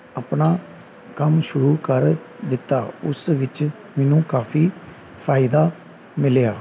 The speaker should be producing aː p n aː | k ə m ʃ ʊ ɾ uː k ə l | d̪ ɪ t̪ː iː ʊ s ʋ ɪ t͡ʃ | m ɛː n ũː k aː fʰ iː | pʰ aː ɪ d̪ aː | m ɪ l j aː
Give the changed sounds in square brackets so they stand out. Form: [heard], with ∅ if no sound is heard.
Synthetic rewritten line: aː p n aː | k ə m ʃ ʊ ɾ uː k ə [ɾ] | d̪ ɪ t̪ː [aː] ʊ s ʋ ɪ t͡ʃ | m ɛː n ũː k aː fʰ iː | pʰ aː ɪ d̪ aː | m ɪ l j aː